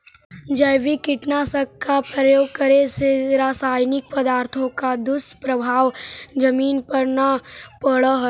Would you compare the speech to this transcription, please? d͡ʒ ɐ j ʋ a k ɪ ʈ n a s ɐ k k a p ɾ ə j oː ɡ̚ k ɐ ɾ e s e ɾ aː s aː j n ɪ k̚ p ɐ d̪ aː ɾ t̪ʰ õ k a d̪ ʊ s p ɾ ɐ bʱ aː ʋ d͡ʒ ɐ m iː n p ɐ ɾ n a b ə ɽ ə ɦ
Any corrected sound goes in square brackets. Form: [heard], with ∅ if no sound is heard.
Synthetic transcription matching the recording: d͡ʒ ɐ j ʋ [i] k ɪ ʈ n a s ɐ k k a p ɾ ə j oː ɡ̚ k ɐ ɾ e s e ɾ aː s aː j n ɪ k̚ p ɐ d̪ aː ɾ t̪ʰ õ k a d̪ ʊ s p ɾ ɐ bʱ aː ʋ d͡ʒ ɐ m iː n p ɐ ɾ n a [p] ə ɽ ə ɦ